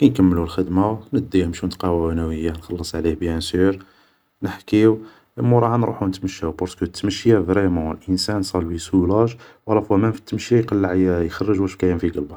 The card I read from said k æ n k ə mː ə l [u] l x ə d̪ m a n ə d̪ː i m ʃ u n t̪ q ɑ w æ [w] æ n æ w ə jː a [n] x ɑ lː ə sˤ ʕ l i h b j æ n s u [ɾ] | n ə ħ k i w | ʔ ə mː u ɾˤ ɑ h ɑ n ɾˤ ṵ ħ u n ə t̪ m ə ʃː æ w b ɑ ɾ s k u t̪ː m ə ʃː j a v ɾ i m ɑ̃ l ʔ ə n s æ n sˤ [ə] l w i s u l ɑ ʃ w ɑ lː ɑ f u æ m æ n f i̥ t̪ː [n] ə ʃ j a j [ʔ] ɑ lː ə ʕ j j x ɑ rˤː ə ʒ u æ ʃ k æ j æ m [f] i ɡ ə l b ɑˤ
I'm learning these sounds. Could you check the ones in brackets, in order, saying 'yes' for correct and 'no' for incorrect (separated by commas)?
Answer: yes, yes, yes, yes, no, no, no, yes